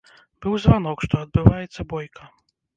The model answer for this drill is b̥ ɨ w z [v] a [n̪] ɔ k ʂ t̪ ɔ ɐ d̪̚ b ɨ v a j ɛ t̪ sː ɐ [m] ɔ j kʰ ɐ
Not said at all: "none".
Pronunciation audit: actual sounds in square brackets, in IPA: v, n̪, b

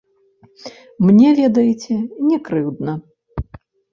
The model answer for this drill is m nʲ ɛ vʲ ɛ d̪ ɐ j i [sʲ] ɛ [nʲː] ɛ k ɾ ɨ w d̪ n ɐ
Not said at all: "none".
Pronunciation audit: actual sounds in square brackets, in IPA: t͡sʲ, nʲ

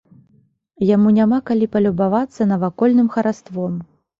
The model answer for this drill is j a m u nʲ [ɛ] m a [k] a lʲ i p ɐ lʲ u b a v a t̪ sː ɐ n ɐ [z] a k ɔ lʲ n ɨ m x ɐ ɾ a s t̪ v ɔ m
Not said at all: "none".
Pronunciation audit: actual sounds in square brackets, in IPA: a, k, v

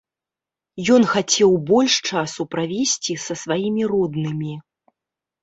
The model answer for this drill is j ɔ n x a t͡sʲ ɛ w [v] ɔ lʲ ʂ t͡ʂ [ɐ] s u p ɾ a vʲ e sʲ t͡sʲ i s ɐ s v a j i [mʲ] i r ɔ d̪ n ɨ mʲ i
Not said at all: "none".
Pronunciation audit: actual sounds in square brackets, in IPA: b, a, mʲ

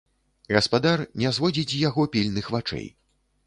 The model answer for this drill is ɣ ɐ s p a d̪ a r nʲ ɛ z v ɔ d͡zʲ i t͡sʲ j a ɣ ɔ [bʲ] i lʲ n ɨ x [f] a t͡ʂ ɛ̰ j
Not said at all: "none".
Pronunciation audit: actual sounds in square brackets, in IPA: pʲ, v

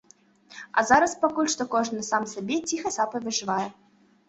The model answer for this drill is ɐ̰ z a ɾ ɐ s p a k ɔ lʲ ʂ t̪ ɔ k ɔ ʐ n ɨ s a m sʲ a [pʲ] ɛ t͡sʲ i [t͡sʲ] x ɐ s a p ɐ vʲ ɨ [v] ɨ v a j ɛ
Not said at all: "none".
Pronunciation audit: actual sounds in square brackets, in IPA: bʲ, none, ʐ

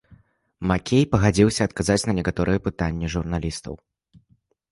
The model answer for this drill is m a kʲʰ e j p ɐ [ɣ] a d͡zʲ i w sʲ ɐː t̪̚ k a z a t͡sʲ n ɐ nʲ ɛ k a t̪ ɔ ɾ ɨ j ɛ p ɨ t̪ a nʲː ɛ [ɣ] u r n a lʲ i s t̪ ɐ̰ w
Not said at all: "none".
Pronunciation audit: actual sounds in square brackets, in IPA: ɣ, ʐ

